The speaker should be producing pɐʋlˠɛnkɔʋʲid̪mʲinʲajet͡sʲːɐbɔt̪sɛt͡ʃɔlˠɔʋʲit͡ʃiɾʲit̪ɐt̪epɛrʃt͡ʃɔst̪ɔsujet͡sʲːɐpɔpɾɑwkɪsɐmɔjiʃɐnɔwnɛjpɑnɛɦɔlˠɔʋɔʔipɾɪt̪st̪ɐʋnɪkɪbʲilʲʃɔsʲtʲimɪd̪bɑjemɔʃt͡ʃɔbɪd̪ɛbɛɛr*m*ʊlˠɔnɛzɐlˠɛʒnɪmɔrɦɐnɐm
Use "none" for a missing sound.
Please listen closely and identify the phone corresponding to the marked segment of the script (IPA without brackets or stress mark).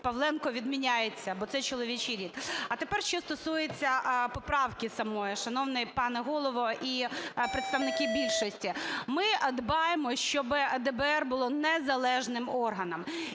b